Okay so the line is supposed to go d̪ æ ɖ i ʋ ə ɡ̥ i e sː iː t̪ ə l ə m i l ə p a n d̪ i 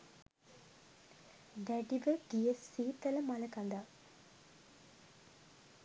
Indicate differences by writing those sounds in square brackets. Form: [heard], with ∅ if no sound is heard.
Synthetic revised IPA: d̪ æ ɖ i ʋ ə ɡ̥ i e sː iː t̪ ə l ə m [a] l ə [k] a n d̪ [a]